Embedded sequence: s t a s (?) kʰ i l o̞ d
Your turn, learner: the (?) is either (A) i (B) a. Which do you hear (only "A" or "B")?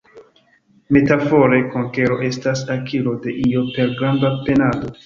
B